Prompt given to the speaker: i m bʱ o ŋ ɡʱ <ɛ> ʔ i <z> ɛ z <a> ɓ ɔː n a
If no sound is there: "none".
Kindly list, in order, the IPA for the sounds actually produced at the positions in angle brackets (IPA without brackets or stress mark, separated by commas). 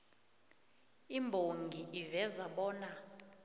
i, v, a